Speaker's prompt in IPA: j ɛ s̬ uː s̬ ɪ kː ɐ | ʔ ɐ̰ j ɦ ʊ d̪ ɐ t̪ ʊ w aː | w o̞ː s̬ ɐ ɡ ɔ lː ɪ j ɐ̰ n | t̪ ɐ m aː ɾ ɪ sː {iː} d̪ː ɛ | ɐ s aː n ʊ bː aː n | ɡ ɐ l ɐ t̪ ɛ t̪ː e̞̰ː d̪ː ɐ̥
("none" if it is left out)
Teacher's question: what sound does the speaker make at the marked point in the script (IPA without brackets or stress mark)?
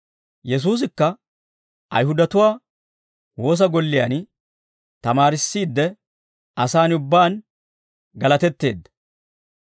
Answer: iː